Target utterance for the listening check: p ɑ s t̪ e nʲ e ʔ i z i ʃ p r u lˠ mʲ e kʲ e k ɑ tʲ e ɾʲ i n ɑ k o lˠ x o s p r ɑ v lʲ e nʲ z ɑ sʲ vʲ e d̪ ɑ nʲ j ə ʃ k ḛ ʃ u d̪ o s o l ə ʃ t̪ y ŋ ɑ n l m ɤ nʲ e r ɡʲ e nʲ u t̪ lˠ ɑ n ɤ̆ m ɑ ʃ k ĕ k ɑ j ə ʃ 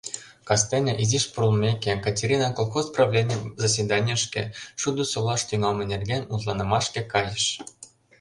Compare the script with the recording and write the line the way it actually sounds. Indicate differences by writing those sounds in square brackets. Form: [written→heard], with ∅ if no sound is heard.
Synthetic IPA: [p→k] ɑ s t̪ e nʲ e ʔ i z i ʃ p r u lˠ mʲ e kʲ e k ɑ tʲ e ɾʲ i n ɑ k o lˠ x o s p r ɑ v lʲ e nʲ z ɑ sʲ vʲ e d̪ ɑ nʲ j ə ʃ k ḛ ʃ u d̪ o s o l [ə→ɑ] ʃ t̪ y ŋ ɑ [n→∅] l m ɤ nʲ e r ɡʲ e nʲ u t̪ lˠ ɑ n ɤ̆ m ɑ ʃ k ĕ k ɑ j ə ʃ